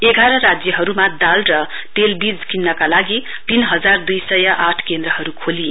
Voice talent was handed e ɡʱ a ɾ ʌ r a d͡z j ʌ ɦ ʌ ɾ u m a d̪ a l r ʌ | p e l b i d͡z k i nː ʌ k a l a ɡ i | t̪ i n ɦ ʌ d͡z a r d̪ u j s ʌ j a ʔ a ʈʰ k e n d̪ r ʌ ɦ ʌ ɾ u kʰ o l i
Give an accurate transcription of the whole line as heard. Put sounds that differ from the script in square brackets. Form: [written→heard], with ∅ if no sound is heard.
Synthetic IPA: e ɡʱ a ɾ ʌ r a d͡z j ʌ ɦ ʌ ɾ u m a d̪ a l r ʌ | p e l b i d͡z k i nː ʌ k a l a ɡ i | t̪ i n ɦ ʌ d͡z a r d̪ u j s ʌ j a ʔ a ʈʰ k e n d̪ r ʌ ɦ ʌ ɾ u kʰ o l i